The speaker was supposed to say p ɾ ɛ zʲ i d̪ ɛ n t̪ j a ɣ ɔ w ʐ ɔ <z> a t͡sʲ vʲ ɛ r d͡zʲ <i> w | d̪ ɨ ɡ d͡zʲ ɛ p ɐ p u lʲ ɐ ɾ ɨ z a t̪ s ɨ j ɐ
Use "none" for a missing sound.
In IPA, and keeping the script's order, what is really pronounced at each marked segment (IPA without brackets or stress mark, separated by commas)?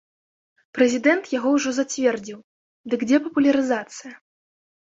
z, i